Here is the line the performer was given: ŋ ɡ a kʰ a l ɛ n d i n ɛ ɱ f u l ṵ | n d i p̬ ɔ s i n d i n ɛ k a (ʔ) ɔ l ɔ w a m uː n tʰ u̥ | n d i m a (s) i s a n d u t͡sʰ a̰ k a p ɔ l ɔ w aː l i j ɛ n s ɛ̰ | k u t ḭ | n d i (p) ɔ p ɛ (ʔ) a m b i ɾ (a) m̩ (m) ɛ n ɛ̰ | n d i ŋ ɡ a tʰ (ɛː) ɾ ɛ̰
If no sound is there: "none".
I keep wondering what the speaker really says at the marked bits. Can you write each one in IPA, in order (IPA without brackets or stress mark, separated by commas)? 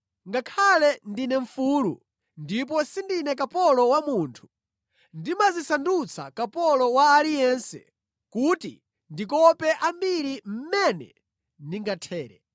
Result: p, z, k, ʔ, i, m, ɛː